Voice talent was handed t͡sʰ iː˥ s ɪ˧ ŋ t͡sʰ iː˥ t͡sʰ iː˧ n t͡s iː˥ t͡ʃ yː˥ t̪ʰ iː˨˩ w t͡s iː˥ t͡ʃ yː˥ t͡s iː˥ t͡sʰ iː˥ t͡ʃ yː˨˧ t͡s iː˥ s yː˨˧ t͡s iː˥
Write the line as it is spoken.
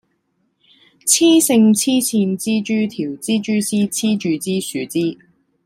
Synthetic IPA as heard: t͡sʰ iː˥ s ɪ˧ ŋ t͡sʰ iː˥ t͡sʰ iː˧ n t͡s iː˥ t͡ʃ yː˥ t̪ʰ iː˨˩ w t͡s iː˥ t͡ʃ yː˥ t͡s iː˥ t͡sʰ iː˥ t͡ʃ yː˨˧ t͡s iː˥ s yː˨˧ t͡s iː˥